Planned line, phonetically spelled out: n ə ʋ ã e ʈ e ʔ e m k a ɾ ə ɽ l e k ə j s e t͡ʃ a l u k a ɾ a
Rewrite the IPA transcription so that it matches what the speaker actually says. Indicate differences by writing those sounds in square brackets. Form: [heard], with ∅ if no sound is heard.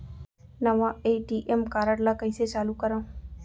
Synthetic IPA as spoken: n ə ʋ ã e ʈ [i] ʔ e m k a ɾ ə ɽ l [a] k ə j s e t͡ʃ a l u k [ə] ɾ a